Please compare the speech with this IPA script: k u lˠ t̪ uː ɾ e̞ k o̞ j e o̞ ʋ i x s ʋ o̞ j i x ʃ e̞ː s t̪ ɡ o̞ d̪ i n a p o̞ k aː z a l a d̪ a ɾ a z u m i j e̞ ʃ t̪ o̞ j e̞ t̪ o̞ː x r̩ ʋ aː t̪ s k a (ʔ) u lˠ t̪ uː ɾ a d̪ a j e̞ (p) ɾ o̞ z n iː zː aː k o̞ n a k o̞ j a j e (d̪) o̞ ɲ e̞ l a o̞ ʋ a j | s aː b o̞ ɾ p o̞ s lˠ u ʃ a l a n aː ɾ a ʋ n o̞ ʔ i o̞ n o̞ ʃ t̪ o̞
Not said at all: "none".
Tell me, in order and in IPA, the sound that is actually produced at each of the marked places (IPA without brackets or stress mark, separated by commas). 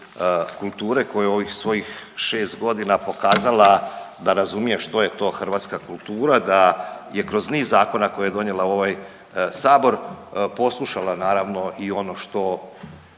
k, k, d̪